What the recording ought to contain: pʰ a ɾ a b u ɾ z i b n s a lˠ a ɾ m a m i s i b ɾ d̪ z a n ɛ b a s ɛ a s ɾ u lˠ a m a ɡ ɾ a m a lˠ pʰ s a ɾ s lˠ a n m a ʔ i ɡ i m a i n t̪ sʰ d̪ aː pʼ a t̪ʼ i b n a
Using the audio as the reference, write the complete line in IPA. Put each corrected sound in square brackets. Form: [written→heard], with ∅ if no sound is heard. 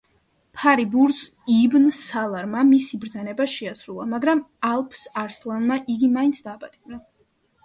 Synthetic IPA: pʰ a ɾ [a→i] b u ɾ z i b n s a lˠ a ɾ m a m i s i b ɾ d̪ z a n ɛ b a [s→ʃ] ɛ a s ɾ u lˠ a m a ɡ ɾ a m a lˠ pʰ s a ɾ s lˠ a n m a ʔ i ɡ i m a i n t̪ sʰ d̪ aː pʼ a t̪ʼ i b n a